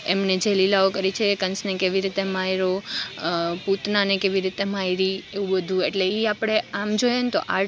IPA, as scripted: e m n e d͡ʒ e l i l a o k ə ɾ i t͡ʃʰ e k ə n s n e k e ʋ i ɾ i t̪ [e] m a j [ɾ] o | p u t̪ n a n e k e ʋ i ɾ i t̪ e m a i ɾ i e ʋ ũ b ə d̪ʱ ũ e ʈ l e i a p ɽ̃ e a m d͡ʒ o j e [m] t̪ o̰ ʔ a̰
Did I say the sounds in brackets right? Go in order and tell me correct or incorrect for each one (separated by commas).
correct, correct, incorrect